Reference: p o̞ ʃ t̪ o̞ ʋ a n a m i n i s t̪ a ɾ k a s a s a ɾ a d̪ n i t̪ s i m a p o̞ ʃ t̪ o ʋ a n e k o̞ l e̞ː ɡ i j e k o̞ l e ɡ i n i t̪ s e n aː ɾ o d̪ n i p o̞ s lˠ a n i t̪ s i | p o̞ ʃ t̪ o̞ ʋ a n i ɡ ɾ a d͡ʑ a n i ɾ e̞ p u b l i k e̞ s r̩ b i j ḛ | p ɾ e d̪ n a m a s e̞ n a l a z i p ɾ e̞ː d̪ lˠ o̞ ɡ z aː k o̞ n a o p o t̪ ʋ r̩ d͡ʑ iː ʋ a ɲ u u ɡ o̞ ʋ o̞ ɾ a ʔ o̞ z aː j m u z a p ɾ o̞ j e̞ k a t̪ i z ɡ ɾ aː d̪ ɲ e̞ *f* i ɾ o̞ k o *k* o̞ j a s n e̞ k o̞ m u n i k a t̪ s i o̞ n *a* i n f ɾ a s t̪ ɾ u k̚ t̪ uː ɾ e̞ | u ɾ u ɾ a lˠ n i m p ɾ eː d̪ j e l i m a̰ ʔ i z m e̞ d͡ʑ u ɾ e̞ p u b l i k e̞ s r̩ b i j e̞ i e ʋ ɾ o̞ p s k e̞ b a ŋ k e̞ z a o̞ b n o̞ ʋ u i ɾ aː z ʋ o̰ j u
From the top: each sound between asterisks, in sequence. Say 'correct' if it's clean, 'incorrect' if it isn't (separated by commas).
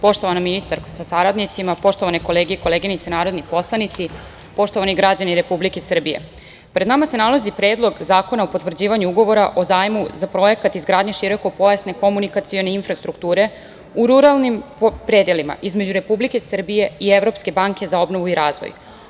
incorrect, incorrect, incorrect